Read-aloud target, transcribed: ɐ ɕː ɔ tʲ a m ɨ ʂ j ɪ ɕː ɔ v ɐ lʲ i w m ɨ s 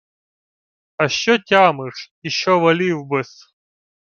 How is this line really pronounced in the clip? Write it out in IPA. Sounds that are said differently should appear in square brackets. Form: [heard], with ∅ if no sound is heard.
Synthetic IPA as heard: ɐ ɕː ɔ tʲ a m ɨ ʂ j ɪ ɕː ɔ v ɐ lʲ i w [b] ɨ s